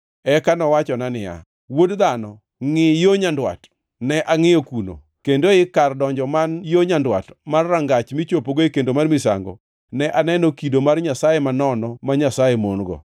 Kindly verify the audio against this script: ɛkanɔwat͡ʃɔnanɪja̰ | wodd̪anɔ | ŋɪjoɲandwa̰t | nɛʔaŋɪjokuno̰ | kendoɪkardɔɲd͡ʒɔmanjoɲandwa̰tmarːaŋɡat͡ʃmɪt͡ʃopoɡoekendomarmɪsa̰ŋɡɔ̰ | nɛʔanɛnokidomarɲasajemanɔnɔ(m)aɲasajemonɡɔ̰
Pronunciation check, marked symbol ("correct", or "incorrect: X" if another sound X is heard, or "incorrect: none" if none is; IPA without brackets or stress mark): correct